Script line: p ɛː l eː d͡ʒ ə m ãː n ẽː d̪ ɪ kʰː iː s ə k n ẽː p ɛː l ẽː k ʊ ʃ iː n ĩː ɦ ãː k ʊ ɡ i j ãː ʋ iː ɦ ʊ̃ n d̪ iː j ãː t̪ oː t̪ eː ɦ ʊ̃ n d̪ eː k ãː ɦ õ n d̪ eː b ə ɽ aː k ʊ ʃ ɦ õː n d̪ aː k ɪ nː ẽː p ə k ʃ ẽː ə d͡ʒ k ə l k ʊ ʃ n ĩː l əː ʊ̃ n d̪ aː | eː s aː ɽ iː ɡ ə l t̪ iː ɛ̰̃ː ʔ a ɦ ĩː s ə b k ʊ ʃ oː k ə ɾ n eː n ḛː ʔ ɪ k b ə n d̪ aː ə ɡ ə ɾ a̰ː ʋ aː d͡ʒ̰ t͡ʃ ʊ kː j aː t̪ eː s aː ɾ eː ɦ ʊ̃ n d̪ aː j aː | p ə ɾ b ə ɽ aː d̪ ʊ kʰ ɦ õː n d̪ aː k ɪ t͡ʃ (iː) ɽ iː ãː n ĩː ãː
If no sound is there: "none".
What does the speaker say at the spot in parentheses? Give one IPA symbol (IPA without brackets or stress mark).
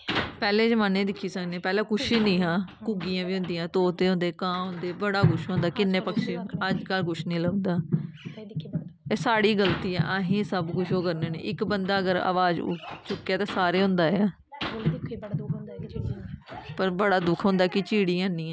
iː